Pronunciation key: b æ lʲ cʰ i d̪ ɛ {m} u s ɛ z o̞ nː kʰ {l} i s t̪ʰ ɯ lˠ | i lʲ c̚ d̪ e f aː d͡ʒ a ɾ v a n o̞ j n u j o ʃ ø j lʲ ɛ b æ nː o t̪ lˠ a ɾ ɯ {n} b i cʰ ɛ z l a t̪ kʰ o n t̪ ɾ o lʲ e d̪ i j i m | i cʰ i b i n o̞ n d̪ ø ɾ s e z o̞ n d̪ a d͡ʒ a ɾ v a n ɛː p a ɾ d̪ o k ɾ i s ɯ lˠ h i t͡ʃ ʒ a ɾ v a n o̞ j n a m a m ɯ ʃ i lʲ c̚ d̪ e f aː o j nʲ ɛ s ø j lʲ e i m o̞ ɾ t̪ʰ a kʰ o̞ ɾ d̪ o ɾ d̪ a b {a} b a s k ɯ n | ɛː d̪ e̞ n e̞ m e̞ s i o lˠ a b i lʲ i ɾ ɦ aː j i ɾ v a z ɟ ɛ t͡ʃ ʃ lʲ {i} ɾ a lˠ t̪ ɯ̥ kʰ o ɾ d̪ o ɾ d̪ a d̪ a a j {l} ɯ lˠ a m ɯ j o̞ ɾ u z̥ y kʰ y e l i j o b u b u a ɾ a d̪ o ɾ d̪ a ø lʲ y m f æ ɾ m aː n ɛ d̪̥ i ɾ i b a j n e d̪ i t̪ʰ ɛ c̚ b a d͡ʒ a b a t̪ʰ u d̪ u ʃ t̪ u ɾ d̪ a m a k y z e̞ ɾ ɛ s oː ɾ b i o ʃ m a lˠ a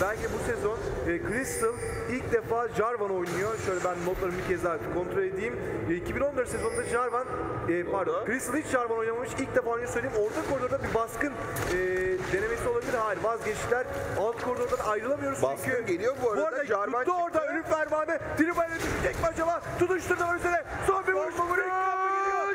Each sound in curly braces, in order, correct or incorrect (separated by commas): incorrect, incorrect, incorrect, incorrect, incorrect, incorrect